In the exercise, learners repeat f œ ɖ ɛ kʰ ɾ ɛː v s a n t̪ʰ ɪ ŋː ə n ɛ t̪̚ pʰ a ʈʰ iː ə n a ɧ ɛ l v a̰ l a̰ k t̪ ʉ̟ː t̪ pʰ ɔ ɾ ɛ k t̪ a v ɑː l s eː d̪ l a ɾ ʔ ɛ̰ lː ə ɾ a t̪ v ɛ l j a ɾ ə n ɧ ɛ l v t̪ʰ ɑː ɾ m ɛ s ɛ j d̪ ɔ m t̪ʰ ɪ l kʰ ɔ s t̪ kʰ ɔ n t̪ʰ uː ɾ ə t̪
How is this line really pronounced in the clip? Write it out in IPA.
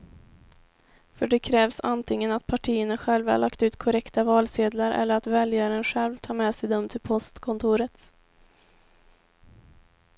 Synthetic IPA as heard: f œ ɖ ɛ kʰ ɾ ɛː v s a n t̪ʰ ɪ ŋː ə n a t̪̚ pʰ a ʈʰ iː ə n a ɧ ɛ l v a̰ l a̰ k t̪ ʉ̟ː t̪ kʰ ɔ ɾ ɛ k t̪ a v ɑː l s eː d̪ l a ɾ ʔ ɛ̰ lː ə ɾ a t̪ v ɛ l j a ɾ ə n ɧ ɛ l v t̪ʰ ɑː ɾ m ɛ s ɛ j d̪ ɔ m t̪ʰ ɪ l pʰ ɔ s t̪ kʰ ɔ n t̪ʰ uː ɾ ə t̪